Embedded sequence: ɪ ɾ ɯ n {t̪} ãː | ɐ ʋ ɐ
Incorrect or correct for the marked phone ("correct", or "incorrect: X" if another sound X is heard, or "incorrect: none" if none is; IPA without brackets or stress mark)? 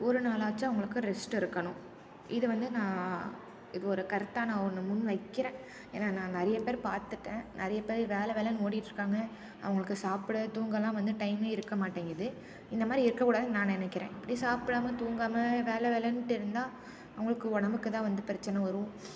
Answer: incorrect: d̪